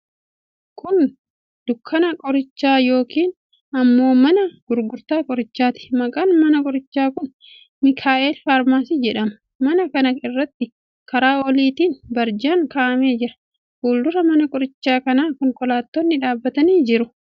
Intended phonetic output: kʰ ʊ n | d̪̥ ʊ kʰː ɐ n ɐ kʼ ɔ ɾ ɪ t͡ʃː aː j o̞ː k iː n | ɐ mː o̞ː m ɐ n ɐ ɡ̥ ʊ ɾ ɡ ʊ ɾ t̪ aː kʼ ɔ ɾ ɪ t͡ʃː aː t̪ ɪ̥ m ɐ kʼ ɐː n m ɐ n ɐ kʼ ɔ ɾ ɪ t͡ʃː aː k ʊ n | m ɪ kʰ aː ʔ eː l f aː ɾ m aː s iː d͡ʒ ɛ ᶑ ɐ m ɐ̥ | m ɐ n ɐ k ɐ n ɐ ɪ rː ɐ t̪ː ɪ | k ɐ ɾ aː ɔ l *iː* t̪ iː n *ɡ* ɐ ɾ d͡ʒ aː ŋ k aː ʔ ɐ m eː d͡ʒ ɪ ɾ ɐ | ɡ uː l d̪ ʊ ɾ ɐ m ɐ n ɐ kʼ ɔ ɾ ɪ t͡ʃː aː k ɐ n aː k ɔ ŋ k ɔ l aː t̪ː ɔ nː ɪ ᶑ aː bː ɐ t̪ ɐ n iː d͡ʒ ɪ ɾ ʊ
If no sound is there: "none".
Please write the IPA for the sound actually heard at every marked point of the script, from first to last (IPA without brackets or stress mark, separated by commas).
iː, b